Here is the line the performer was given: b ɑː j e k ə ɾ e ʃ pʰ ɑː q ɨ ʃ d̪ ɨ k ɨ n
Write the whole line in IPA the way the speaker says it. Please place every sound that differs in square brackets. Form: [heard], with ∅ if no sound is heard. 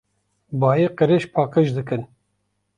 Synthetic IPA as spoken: b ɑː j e [q] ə ɾ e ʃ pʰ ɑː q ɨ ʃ d̪ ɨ k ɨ n